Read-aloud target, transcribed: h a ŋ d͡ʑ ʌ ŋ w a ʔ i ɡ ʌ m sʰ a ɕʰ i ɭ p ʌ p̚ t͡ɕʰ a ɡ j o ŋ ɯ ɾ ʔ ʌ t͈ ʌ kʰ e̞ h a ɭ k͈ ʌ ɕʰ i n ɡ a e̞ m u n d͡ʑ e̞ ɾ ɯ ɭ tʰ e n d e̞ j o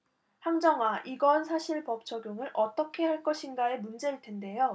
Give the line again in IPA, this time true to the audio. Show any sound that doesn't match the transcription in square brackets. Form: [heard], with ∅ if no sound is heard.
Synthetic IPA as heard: h a ŋ d͡ʑ ʌ ŋ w a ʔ i ɡ ʌ [n] sʰ a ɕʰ i ɭ p ʌ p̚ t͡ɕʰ [ʌ] ɡ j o ŋ ɯ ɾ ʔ ʌ t͈ ʌ kʰ e̞ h a ɭ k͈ ʌ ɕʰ i n ɡ a e̞ m u n d͡ʑ e̞ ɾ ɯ ɭ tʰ e n d e̞ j o